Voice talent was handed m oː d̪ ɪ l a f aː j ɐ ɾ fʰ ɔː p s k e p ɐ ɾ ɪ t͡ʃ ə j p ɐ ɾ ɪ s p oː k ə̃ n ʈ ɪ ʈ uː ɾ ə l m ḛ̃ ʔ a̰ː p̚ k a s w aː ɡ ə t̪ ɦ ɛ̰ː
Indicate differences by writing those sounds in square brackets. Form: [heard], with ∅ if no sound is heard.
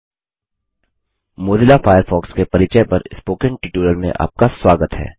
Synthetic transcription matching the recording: m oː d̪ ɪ l a f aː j [ə] ɾ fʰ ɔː [k] s k e p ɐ ɾ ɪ t͡ʃ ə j p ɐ ɾ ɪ s p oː k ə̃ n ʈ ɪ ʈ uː ɾ ə l m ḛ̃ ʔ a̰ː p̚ k a s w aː ɡ ə t̪ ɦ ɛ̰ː